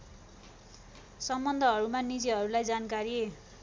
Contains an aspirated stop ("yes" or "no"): no